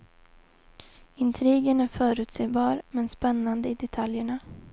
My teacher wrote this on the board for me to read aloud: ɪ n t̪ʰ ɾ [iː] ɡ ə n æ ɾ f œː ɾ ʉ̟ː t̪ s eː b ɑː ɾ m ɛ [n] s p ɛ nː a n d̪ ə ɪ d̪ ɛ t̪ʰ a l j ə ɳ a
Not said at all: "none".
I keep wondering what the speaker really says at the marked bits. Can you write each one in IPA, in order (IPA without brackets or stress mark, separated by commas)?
iː, n